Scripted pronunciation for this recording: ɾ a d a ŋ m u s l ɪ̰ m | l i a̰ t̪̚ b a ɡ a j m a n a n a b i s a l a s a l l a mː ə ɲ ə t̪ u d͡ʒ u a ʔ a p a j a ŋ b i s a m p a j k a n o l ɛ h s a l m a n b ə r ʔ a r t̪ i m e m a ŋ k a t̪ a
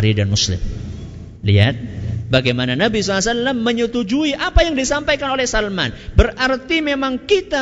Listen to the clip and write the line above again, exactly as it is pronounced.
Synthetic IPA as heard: ɾ i d a n m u s l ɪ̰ m | l i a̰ t̪̚ b a ɡ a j m a n a n a b i s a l a s a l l a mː ə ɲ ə t̪ u d͡ʒ u i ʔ a p a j a ŋ d i s a m p a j k a n o l ɛ h s a l m a n b ə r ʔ a r t̪ i m e m a ŋ k i t̪ a